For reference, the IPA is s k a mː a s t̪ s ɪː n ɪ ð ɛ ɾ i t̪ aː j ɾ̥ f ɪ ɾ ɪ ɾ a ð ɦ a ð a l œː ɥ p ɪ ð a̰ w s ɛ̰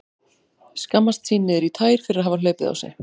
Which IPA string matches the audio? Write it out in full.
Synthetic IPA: s k a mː a s t̪ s iː n ɪ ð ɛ ɾ i t̪ʰ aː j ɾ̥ f ɪ ɾ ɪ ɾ a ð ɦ a v a l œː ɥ p ɪ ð a̰ w s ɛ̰

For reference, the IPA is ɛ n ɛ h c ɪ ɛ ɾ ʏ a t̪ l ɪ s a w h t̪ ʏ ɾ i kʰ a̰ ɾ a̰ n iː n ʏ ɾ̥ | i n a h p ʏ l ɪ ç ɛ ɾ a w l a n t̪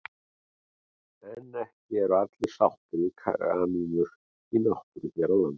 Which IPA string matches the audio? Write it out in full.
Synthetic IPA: ɛ n ɛ h c ɪ ɛ ɾ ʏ a t̪ l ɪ s a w h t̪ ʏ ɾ i kʰ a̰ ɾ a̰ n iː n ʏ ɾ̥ | i n a h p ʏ ɾ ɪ ç ɛ ɾ a w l a n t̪

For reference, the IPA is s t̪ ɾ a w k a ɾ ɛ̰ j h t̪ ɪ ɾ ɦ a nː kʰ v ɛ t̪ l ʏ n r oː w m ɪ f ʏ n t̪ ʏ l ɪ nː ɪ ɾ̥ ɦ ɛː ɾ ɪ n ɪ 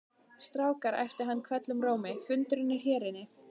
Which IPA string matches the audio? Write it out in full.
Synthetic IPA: s t̪ ɾ a w k a ɾ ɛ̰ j f t̪ ɪ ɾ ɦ a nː kʰ v ɛ t̪ l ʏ m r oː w m ɪ f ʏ n t̪ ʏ ɾ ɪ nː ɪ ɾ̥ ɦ ɛː ɾ ɪ n ɪ

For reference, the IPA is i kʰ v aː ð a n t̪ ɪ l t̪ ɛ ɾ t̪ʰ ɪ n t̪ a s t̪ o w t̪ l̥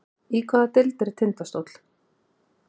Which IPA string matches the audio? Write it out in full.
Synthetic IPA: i kʰ v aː ð a t̪ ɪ l t̪ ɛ ɾ t̪ʰ ɪ n t̪ a s t̪ o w t̪ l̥

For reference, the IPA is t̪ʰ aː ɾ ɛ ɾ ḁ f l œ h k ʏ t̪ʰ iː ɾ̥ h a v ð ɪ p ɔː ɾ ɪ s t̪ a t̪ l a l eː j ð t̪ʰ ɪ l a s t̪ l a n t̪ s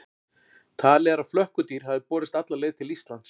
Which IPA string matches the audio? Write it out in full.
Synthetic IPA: t̪ʰ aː l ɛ ɾ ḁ f l œ h k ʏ t̪ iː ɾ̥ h a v ð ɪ p ɔː ɾ ɪ s t̪ a t̪ l a l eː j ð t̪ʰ ɪ l i s t̪ l a n t̪ s

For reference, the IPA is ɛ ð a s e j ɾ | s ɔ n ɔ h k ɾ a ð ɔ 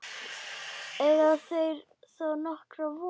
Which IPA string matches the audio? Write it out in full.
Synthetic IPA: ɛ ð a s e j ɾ | s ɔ n ɔ h k ɾ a v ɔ

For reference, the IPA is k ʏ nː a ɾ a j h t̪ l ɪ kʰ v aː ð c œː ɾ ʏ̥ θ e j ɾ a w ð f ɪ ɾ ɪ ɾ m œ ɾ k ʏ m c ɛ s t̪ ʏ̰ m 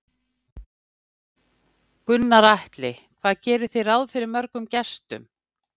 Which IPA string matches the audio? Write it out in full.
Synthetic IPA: k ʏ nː a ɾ a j h t̪ l ɪ kʰ v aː ð c ɛː ɾ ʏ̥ θ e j ɾ a w ð f ɪ ɾ ɪ ɾ m œ ɾ k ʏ m c ɛ s t̪ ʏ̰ m

